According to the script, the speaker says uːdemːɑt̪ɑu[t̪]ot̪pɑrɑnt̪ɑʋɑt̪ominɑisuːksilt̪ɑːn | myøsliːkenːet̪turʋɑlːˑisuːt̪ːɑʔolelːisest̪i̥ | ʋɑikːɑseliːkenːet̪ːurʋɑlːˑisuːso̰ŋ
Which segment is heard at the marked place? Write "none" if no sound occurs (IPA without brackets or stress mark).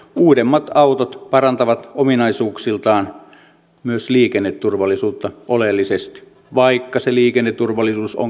t̪